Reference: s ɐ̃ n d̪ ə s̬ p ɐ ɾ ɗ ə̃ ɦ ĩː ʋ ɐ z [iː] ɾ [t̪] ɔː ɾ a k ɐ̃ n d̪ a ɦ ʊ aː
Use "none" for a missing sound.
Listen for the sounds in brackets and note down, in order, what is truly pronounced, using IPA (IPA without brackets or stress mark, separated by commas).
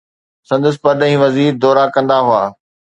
iː, d̪